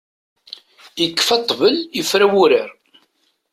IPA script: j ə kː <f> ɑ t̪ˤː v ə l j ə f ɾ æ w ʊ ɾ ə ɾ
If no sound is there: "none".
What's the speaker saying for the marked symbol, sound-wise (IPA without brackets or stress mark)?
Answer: f